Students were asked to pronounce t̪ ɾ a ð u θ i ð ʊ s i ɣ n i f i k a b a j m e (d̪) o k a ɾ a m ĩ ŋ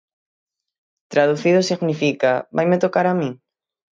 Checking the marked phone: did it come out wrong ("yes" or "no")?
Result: yes